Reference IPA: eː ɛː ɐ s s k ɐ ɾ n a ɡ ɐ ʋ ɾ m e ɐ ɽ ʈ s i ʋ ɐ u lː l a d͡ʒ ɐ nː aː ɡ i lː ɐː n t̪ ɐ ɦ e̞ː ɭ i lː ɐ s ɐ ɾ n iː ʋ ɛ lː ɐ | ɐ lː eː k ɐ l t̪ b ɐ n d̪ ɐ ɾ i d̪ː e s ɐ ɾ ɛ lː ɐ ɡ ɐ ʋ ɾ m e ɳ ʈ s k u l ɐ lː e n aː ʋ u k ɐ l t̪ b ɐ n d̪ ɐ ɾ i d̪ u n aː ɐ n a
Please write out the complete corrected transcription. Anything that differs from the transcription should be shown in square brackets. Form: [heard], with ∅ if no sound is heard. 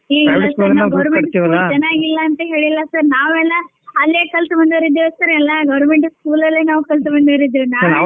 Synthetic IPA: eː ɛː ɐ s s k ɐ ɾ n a ɡ ɐ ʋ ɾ m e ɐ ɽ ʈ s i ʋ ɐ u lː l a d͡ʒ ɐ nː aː ɡ i lː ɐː n t̪ ɐ ɦ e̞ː ɭ i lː ɐ s ɐ ɾ n [aː] ʋ ɛ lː ɐ | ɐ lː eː k ɐ l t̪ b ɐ n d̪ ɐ ɾ i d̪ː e s ɐ ɾ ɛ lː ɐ ɡ ɐ ʋ ɾ m e ɳ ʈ s k [uː] l ɐ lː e n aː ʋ u k ɐ l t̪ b ɐ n d̪ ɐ ɾ i d̪ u n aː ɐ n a

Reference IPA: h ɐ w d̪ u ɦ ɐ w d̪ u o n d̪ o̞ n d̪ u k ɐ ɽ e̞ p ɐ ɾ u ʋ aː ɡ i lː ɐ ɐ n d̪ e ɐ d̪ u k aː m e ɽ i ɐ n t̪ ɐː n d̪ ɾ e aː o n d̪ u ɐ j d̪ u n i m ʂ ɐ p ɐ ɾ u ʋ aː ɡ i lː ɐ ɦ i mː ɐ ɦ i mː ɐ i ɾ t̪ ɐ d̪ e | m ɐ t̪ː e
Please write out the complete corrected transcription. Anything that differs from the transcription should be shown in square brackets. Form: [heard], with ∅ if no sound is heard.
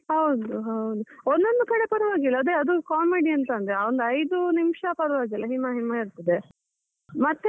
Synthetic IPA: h ɐ w d̪ u ɦ ɐ w d̪ u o n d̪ o̞ n d̪ u k ɐ ɽ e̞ p ɐ ɾ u ʋ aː ɡ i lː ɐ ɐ [∅] d̪ e ɐ d̪ u k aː m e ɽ i ɐ n t̪ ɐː n d̪ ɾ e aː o n d̪ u ɐ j d̪ u n i m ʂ ɐ p ɐ ɾ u ʋ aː ɡ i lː ɐ ɦ i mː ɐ ɦ i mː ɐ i ɾ t̪ ɐ d̪ e | m ɐ t̪ː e

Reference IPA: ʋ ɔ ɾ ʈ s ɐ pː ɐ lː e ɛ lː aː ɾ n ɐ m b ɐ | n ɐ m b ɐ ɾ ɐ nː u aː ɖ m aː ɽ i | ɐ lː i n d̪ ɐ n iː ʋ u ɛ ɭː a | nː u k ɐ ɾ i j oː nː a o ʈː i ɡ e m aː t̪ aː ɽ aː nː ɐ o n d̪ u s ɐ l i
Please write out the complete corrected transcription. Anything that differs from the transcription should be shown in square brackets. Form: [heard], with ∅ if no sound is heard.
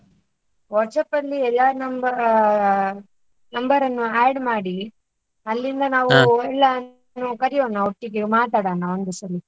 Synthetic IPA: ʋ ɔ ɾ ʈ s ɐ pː ɐ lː [i] ɛ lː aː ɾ n ɐ m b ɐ | n ɐ m b ɐ ɾ ɐ nː u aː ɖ m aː ɽ i | ɐ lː i n d̪ ɐ n [aː] ʋ u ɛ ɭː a | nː u k ɐ ɾ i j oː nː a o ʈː i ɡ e m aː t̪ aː ɽ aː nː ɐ o n d̪ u s ɐ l i

